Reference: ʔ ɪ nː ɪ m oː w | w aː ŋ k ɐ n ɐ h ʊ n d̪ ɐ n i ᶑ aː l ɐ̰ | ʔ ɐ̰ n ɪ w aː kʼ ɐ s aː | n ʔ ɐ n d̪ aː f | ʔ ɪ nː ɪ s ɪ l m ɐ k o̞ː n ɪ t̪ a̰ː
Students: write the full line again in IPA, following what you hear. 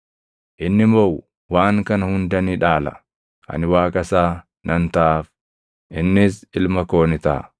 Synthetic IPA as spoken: ʔ ɪ nː ɪ m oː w | w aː ŋ k ɐ n ɐ h ʊ n d̪ ɐ n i ᶑ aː l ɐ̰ | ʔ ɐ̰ n ɪ w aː kʼ ɐ s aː | n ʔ ɐ n t̪ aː f | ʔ ɪ nː ɪ s ɪ l m ɐ k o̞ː n ɪ t̪ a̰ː